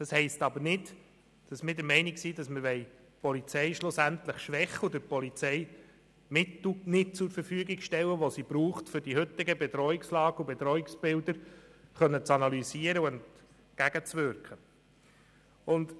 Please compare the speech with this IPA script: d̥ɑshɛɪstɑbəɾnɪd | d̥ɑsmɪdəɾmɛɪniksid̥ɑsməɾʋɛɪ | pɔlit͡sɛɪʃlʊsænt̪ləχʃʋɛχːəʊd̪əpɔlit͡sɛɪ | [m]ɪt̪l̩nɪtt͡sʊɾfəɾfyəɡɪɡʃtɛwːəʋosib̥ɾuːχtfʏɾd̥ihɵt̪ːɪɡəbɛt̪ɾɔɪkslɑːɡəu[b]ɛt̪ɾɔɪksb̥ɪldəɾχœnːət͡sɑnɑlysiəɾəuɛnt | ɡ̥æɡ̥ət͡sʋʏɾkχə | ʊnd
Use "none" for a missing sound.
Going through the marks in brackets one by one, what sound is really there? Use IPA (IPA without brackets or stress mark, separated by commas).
m, b